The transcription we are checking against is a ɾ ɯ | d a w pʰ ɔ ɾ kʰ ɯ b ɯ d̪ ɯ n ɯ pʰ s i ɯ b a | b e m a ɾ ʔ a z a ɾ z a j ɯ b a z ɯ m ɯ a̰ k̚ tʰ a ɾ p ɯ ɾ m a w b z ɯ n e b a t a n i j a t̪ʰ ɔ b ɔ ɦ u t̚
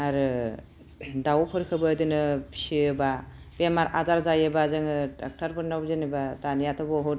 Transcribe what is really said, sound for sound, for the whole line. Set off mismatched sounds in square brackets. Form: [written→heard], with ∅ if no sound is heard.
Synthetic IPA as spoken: a ɾ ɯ | d a w pʰ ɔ ɾ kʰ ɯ b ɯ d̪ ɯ n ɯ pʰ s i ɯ b a | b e m a ɾ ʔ a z a ɾ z a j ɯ b a z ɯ [m→ŋ] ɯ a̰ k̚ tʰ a ɾ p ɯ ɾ [m→n] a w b z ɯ n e b a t a n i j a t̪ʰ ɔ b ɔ ɦ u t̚